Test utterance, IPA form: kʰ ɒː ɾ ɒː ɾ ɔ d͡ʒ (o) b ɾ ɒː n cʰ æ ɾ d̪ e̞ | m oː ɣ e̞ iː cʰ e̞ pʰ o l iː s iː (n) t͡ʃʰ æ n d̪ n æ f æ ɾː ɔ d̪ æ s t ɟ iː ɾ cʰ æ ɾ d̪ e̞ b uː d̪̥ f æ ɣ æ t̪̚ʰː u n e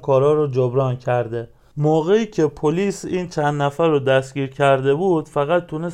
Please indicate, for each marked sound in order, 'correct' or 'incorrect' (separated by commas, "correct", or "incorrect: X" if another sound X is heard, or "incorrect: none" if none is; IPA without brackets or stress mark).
correct, correct